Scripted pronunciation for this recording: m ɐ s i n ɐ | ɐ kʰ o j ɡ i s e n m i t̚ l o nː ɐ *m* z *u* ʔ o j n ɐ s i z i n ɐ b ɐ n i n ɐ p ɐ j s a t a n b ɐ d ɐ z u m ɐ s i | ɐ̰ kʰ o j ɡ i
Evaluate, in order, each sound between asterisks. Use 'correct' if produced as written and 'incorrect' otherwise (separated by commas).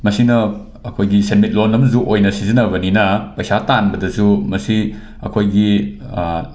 correct, correct